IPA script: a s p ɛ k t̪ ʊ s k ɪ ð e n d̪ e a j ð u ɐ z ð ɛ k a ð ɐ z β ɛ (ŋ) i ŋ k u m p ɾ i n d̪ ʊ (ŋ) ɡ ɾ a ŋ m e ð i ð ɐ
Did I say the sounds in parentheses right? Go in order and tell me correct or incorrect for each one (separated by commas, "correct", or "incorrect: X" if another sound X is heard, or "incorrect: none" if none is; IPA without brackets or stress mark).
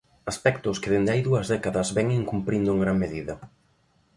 correct, correct